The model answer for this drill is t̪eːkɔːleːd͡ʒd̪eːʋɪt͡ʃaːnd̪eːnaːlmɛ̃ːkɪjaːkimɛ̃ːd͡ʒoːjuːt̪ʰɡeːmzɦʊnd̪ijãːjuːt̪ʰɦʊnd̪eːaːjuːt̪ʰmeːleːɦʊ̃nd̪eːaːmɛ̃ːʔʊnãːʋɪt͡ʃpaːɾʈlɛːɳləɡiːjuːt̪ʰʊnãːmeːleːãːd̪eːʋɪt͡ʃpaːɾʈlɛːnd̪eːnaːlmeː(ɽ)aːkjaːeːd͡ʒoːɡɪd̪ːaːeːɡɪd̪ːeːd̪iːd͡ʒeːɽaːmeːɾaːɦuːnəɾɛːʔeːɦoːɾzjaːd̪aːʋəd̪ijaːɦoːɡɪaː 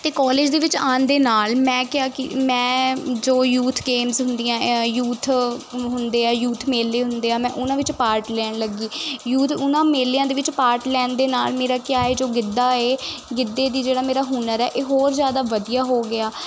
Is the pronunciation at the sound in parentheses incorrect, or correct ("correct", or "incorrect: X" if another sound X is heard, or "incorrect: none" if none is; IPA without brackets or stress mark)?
incorrect: ɾ